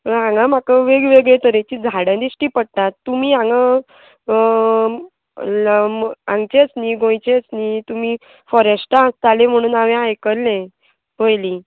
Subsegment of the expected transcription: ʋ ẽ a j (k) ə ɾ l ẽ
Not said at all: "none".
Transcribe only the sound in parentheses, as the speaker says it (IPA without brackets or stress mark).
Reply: k